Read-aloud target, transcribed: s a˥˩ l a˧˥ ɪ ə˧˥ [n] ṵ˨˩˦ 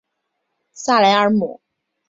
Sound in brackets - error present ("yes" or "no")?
yes